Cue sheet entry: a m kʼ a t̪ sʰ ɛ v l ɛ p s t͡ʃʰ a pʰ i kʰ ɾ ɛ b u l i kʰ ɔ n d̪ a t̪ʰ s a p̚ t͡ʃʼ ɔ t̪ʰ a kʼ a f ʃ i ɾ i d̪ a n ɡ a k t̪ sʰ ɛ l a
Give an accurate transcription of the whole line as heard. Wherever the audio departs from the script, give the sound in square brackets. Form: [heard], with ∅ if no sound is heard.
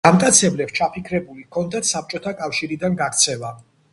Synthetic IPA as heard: a m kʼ a t̪ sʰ ɛ [b] l ɛ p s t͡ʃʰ a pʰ i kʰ ɾ ɛ b u l i kʰ ɔ n d̪ a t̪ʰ s a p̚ t͡ʃʼ ɔ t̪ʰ a kʼ a f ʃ i ɾ i d̪ a n ɡ a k t̪ sʰ ɛ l a